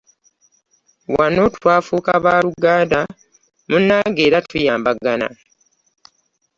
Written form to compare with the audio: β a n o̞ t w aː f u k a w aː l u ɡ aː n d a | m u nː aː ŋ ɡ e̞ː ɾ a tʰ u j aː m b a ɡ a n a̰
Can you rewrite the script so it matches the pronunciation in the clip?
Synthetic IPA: w a n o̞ t w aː f u k a β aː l u ɡ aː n d a | m u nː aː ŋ ɡ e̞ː ɾ a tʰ u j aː m b a ɡ a n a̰

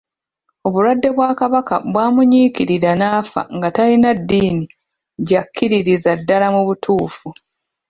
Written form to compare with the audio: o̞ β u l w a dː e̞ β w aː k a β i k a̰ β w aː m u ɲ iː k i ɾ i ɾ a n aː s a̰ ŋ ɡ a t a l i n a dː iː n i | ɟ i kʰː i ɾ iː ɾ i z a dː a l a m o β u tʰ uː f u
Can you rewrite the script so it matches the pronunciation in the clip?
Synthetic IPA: o̞ β u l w a dː e̞ β w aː k a β a k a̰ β w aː m u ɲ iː k i ɾ i ɾ a n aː f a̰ ŋ ɡ a t a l i n a dː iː n i | ɟ a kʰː i ɾ i ɾ i z a dː a l a m u β u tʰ uː f u

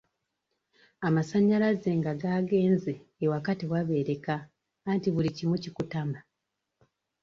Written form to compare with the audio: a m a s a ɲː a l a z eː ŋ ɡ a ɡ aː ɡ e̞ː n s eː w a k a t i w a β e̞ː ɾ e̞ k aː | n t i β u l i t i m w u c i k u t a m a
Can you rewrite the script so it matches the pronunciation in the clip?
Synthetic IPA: a m a s a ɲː a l a z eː ŋ ɡ a ɡ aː ɡ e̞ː n z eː w a k a t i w a β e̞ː ɾ e̞ k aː | n t i β u l i c i m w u c i k u t a m a

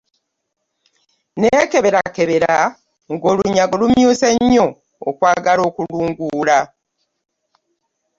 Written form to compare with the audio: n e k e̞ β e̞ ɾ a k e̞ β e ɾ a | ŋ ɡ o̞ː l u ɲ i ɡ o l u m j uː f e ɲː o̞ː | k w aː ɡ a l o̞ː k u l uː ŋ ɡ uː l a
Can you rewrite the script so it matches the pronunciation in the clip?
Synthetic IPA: n e k e̞ β e̞ ɾ a k e̞ β e ɾ a | ŋ ɡ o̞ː l u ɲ a ɡ o l u m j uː s e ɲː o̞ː | k w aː ɡ a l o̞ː k u l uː ŋ ɡ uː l a

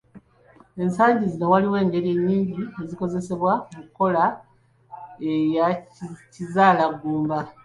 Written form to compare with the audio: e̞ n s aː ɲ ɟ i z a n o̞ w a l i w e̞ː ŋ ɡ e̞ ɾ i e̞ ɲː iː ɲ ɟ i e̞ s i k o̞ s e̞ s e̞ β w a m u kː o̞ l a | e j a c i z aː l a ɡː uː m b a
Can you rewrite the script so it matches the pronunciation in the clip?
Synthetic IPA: e̞ n s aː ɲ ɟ i z i n o̞ w a l i w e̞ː ŋ ɡ e̞ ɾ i e̞ ɲː iː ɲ ɟ i e̞ z i k o̞ z e̞ s e̞ β w a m u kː o̞ l a | e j a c i z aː l a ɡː uː m b a

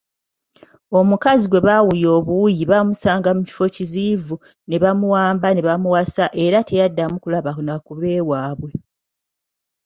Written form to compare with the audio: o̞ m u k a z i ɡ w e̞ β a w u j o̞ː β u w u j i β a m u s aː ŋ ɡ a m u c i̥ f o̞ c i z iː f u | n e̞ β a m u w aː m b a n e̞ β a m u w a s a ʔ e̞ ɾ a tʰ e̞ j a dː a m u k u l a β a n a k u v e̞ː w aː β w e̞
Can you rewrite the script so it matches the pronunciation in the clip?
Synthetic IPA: o̞ m u k a z i ɡ w e̞ β a w u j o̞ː β u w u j i β a m u s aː ŋ ɡ a m u c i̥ f o̞ c i z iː v u | n e̞ β a m u w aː m b a n e̞ β a m u w a s a ʔ e̞ ɾ a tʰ e̞ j a dː a m u k u l a β a n a k u β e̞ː w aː β w e̞

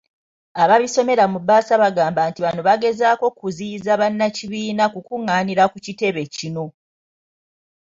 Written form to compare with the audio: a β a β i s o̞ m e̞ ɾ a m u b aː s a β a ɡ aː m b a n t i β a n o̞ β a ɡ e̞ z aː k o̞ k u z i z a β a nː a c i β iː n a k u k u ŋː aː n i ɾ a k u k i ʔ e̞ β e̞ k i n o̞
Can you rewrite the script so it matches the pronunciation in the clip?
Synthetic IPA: a β a β i s o̞ m e̞ ɾ a m u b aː s a β a ɡ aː m b a n t i β a n o̞ β a ɡ e̞ z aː k o̞ k u z i z a β a nː a c i β iː n a k u k u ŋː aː n i ɾ a k u c i t e̞ β e̞ c i n o̞

